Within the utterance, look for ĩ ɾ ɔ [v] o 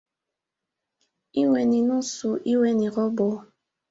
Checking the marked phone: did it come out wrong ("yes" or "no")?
yes